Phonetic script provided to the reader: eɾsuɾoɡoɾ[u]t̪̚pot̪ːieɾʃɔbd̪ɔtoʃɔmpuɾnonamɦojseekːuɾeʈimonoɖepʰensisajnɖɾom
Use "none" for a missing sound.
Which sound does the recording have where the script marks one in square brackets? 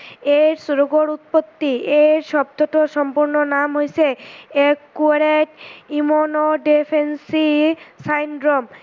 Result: u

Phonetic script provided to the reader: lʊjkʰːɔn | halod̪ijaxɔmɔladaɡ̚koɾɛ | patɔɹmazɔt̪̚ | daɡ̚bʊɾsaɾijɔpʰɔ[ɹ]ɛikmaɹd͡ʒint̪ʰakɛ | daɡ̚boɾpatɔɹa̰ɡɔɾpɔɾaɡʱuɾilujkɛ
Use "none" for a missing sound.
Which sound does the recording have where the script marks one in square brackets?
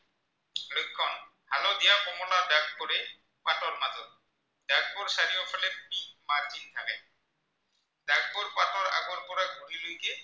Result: l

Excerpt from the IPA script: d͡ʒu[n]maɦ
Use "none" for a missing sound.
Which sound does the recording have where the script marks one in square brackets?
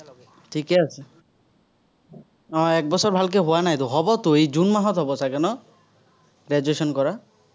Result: n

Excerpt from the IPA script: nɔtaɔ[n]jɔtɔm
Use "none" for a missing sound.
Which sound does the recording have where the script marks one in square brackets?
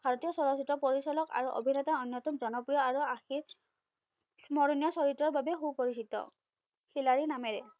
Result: n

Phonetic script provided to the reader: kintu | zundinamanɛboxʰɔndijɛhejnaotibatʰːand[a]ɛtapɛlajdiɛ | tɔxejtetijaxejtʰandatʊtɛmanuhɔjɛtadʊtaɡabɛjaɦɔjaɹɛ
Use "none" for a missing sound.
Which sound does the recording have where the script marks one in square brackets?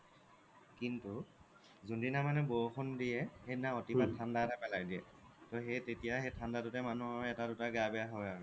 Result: a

